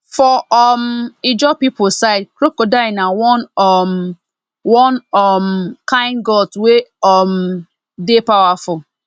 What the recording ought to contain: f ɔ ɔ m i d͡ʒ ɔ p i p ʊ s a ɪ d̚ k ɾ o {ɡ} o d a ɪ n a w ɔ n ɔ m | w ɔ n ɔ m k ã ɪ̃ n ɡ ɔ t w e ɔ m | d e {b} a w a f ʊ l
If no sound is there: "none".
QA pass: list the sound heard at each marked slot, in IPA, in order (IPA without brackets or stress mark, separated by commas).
k, p